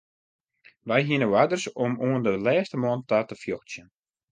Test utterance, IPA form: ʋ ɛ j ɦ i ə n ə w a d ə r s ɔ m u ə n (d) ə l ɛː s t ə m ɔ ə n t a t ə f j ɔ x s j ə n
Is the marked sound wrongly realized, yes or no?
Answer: no